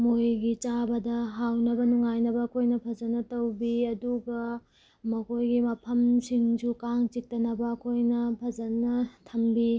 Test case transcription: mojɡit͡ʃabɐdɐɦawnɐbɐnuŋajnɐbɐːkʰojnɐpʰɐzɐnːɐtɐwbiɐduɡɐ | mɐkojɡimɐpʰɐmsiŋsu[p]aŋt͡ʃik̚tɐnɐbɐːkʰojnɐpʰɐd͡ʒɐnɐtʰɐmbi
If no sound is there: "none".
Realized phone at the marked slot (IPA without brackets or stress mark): k